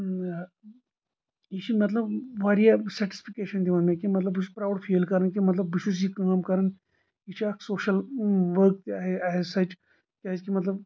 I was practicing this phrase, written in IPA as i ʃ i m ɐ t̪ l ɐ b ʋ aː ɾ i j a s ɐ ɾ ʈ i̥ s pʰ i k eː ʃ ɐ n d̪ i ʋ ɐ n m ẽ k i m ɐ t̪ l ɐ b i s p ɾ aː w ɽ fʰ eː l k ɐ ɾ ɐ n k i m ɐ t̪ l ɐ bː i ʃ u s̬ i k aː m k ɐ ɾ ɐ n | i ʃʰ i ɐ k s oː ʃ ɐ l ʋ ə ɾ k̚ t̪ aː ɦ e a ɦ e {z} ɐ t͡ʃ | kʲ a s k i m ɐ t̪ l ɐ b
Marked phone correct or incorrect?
incorrect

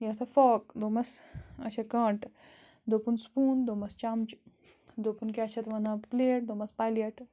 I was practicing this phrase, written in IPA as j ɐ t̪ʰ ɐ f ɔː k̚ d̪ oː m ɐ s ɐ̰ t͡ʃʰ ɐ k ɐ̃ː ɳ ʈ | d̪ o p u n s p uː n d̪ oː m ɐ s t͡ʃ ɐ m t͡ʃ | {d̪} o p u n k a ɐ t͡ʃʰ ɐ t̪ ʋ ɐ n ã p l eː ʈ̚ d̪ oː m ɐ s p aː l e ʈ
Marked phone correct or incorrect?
correct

